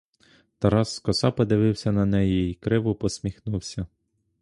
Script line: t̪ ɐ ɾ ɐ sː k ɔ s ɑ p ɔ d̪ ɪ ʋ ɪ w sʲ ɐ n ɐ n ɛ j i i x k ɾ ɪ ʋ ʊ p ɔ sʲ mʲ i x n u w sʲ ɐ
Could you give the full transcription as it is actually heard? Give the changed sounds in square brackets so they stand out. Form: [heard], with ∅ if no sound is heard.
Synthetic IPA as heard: t̪ ɐ ɾ [ɑ] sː k ɔ s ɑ p ɔ d̪ ɪ ʋ ɪ w sʲ ɐ n ɐ n ɛ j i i [∅] k ɾ ɪ ʋ ʊ p ɔ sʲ mʲ i x n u w sʲ ɐ